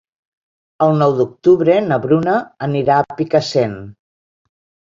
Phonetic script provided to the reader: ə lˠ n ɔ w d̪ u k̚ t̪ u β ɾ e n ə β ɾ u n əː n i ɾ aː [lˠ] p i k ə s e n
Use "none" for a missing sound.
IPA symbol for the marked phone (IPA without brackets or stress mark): none